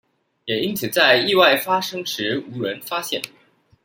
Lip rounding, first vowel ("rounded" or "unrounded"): unrounded